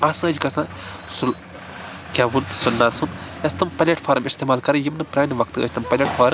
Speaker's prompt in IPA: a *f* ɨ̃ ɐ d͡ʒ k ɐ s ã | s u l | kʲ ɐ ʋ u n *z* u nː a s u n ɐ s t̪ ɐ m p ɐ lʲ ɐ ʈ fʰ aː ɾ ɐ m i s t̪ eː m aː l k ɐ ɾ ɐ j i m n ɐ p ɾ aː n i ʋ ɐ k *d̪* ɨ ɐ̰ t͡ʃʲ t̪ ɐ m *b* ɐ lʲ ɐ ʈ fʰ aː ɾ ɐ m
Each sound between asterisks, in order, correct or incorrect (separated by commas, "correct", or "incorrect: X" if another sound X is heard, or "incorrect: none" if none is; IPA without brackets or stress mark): incorrect: s, incorrect: s, incorrect: t̪, incorrect: p